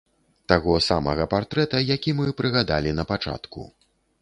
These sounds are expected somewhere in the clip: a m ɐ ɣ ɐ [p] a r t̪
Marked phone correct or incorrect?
correct